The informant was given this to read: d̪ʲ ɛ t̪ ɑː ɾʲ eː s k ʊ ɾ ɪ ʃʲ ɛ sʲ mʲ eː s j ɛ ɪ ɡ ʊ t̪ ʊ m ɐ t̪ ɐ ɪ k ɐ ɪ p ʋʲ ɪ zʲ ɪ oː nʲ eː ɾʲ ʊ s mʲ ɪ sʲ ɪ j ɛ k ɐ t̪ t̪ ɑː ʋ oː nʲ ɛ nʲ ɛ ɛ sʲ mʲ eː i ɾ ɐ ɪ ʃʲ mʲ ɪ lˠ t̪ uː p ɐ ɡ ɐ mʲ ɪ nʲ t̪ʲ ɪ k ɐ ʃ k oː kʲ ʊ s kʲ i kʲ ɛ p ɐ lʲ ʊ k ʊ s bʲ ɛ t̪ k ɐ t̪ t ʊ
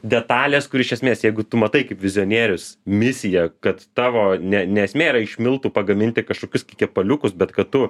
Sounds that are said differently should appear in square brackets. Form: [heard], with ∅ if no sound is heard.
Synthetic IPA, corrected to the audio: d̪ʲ ɛ t̪ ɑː [lʲ] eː s k ʊ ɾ ɪ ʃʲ ɛ sʲ mʲ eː s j ɛ ɪ ɡ ʊ t̪ ʊ m ɐ t̪ ɐ ɪ k ɐ ɪ p ʋʲ ɪ zʲ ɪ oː nʲ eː ɾʲ ʊ s mʲ ɪ sʲ ɪ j ɛ k ɐ t̪ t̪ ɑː ʋ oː nʲ ɛ nʲ ɛ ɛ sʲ mʲ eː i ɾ ɐ ɪ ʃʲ mʲ ɪ lˠ t̪ uː p ɐ ɡ ɐ mʲ ɪ nʲ t̪ʲ ɪ k ɐ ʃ k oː kʲ ʊ s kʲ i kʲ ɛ p ɐ lʲ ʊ k ʊ s bʲ ɛ t̪ k ɐ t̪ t ʊ